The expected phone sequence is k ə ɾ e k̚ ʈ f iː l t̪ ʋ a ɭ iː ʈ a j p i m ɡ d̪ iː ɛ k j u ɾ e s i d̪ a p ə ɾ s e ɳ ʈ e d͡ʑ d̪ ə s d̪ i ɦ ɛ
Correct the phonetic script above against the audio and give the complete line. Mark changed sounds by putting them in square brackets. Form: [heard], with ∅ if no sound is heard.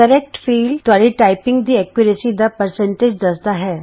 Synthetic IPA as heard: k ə ɾ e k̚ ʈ f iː l t̪ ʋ a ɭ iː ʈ a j p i [ŋ] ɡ d̪ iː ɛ k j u ɾ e s i d̪ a p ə ɾ s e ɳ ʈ e d͡ʑ d̪ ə s d̪ [a] ɦ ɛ